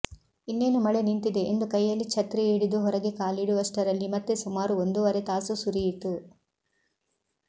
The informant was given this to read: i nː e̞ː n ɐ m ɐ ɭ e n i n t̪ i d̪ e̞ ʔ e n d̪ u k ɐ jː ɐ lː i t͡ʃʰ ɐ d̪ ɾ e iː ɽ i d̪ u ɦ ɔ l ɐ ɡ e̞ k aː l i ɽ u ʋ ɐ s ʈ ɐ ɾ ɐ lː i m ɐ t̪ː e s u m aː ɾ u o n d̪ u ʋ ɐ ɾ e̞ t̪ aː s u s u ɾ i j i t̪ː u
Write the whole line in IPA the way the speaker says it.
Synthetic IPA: i nː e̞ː n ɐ m ɐ ɭ e n i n t̪ i d̪ e̞ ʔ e n d̪ u k ɐ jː ɐ lː i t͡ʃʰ ɐ t̪ ɾ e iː ɽ i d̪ u ɦ ɔ ɾ ɐ ɡ e̞ k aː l i ɽ u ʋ ɐ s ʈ ɐ ɾ ɐ lː i m ɐ t̪ː e s u m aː ɾ u o n d̪ u ʋ ɐ ɾ e̞ t̪ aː s u s u ɾ i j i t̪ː u